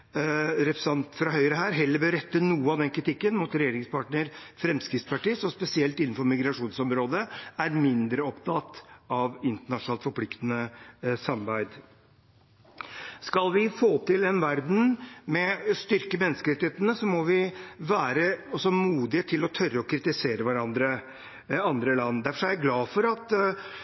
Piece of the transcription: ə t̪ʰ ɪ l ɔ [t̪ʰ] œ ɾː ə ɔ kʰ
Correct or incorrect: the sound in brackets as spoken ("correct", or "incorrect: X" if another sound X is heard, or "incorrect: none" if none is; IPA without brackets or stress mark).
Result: correct